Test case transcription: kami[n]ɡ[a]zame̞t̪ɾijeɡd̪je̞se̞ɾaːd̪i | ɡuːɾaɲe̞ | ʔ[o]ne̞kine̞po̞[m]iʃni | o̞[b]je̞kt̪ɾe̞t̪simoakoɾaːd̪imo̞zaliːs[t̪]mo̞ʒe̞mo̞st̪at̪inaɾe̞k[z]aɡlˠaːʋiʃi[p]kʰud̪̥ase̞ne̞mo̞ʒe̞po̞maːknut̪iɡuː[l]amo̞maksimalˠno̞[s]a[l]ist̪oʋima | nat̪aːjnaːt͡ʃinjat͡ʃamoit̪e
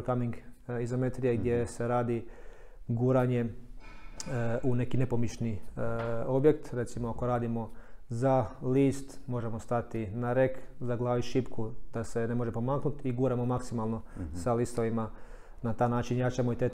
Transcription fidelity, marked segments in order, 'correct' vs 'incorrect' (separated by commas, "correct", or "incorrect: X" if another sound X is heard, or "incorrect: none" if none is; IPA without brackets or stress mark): incorrect: ŋ, incorrect: i, incorrect: u, correct, correct, correct, correct, correct, incorrect: ɾ, correct, correct